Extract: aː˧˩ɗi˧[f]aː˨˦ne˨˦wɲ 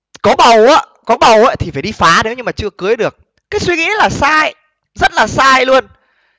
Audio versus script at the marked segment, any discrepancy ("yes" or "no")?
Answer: no